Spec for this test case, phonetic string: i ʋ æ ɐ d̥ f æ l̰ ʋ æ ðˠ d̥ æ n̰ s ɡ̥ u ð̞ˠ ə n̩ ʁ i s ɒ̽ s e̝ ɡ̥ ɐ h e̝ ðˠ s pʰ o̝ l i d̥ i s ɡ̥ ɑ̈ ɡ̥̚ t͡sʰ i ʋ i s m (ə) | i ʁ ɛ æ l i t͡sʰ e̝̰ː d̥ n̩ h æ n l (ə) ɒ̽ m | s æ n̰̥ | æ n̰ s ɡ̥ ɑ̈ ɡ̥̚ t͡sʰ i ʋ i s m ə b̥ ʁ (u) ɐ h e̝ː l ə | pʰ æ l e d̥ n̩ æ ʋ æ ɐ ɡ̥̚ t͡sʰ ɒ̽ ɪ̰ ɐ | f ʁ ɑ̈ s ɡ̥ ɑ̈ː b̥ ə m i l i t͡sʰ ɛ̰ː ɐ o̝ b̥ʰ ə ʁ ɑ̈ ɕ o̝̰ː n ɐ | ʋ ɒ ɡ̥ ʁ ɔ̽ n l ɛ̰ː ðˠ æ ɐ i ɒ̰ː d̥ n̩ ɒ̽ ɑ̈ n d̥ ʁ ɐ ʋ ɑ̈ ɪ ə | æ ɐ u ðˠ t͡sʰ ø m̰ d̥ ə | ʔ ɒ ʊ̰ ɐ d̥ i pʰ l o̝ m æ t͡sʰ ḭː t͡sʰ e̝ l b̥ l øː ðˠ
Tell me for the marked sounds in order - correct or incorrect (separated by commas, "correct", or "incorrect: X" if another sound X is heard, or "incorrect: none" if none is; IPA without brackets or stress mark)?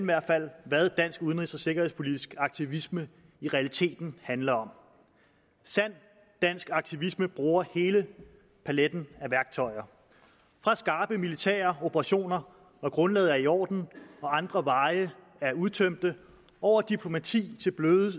correct, incorrect: ɐ, incorrect: uː